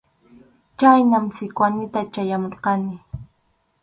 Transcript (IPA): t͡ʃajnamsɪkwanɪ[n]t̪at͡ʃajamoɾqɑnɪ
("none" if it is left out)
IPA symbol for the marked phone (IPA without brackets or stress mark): none